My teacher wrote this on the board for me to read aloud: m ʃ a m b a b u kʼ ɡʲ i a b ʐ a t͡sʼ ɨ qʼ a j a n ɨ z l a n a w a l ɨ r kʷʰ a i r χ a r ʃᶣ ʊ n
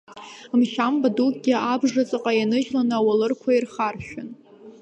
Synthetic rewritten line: m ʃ a m b a d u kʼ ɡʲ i a b ʐ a t͡sʼ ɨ qʼ a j a n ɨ ʒ l a n a w a l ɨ r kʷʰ a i r χ a r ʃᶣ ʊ n